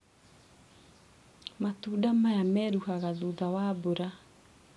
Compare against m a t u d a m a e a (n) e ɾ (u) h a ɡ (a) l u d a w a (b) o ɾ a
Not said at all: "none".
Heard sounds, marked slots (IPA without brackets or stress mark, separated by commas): m, u, a, b